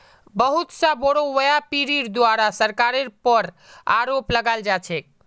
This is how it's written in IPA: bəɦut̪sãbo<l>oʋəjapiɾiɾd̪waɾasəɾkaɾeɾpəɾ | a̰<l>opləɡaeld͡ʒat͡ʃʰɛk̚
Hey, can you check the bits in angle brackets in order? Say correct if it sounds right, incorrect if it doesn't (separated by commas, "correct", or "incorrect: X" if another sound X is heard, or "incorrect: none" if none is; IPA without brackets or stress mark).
incorrect: ɽ, incorrect: ɾ